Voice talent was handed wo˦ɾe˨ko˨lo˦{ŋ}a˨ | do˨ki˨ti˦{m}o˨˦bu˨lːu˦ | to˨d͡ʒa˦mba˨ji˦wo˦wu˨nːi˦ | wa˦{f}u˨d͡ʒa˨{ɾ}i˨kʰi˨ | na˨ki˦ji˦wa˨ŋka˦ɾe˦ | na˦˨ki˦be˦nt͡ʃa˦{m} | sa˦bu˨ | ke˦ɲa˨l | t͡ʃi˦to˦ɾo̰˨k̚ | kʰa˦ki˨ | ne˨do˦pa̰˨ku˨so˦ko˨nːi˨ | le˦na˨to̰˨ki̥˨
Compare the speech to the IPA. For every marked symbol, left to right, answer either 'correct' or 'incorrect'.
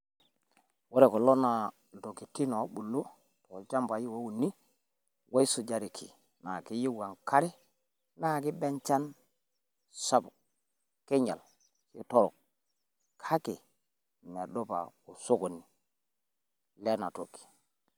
incorrect, incorrect, incorrect, correct, incorrect

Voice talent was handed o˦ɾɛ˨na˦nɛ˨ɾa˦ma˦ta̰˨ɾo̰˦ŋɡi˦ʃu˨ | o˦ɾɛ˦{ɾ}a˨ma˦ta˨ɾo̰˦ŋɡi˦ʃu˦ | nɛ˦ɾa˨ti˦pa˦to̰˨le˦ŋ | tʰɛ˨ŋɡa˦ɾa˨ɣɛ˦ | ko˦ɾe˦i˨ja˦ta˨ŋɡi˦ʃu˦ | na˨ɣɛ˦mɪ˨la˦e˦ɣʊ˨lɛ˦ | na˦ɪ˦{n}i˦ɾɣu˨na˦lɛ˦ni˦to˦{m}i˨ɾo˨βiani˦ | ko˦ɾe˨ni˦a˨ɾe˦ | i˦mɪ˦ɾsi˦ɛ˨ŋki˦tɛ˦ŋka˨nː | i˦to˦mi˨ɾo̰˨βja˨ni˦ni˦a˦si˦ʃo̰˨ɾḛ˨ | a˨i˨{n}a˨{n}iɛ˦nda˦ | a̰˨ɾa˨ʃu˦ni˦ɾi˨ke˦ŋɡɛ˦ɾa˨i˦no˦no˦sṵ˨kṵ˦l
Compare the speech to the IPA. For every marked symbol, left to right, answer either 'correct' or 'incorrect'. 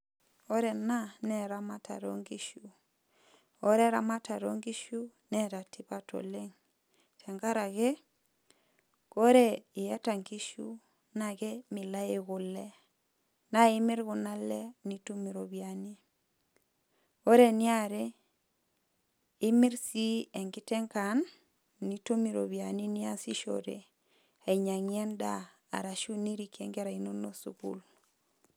correct, incorrect, correct, incorrect, incorrect

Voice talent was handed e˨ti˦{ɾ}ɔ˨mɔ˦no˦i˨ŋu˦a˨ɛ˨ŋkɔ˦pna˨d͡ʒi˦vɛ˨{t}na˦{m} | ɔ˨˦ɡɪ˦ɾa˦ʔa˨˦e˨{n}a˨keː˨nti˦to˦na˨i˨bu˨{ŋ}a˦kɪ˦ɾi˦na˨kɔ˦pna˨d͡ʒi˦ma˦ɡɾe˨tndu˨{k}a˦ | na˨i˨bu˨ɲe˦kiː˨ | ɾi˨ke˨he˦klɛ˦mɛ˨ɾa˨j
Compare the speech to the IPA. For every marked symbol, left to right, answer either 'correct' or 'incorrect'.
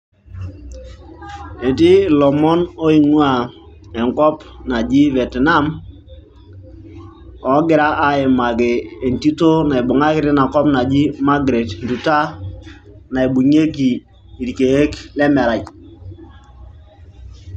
incorrect, correct, correct, incorrect, correct, incorrect

